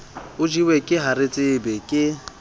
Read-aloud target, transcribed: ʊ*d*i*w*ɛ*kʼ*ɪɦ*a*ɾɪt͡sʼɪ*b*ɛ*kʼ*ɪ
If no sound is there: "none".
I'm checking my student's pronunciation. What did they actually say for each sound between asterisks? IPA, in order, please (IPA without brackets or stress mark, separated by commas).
d͡ʒ, w, kʼ, a, b, kʼ